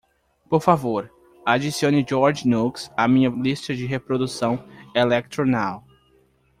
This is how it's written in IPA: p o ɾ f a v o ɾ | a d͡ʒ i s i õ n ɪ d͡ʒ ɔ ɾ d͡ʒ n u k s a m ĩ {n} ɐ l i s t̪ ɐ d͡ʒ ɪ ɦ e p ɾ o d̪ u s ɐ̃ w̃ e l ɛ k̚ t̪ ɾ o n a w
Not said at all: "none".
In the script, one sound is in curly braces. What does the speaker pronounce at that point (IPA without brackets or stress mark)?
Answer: ɲ